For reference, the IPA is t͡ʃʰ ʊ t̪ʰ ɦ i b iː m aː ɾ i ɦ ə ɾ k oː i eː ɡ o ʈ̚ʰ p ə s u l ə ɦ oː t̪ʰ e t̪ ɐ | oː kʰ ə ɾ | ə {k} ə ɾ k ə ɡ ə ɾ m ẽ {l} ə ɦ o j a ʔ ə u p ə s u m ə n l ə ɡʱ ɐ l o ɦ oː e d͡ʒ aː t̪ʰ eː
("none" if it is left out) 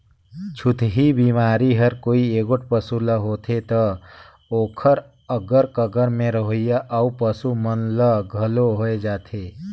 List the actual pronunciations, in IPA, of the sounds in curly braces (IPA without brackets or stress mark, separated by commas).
ɡ, ɾ